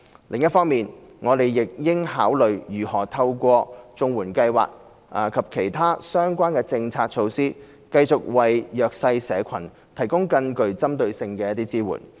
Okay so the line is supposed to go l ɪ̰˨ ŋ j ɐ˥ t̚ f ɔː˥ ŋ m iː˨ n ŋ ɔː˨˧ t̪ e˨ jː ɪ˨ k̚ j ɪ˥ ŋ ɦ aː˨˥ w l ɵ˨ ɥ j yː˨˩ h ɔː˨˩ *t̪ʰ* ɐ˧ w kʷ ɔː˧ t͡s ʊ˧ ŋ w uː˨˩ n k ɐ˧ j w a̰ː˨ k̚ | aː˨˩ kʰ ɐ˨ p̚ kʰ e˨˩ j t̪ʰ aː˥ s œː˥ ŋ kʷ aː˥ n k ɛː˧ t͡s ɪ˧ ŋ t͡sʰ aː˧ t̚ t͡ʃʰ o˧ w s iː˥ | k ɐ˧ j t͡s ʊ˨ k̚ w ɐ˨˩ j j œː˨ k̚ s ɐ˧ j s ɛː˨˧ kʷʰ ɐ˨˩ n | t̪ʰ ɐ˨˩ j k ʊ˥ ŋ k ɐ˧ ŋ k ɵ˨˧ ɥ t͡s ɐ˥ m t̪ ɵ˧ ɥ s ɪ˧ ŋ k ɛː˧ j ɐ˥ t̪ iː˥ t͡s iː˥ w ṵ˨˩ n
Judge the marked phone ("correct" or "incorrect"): correct